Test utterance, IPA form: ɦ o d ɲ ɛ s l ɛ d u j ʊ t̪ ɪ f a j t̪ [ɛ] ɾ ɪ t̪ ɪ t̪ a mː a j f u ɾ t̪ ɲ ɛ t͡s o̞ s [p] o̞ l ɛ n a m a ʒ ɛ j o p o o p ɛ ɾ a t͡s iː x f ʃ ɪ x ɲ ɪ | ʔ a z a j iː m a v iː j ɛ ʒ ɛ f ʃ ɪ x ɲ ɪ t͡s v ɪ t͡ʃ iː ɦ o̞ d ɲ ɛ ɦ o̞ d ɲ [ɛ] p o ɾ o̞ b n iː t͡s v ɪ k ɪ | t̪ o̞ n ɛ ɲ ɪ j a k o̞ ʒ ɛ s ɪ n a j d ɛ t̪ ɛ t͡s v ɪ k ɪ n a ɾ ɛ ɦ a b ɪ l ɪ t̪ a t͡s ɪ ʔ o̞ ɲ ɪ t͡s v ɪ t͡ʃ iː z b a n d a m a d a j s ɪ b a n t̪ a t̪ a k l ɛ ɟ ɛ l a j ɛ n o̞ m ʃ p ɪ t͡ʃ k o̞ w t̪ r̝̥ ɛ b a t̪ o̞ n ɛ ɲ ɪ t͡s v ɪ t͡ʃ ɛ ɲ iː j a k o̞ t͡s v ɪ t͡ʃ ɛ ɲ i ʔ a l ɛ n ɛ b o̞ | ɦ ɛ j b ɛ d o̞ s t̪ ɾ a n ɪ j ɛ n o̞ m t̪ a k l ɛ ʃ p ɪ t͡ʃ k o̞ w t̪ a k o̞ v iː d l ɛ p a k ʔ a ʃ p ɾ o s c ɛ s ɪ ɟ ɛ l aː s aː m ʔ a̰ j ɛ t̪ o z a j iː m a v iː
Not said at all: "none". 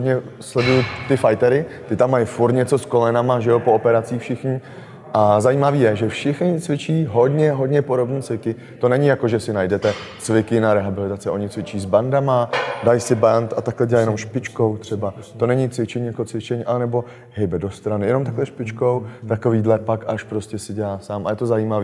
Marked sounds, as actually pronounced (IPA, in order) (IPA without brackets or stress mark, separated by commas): ɛ, k, ɛ